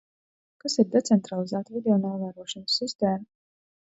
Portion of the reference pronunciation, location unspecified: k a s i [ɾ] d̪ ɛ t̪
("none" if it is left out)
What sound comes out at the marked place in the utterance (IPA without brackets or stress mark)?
ɾ